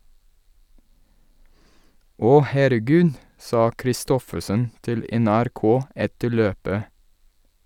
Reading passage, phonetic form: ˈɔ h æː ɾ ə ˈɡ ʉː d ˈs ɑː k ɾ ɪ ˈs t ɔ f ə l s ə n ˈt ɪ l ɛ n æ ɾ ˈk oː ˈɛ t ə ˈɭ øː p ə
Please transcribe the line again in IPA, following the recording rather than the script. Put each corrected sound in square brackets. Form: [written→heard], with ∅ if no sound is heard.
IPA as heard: ˈɔ h [æː→æ] ɾ ə ˈɡ ʉː d ˈs ɑː k ɾ ɪ ˈs t ɔ f ə [l→∅] s ə n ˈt ɪ l ɛ n æ ɾ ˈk oː ˈɛ t ə ˈɭ øː p ə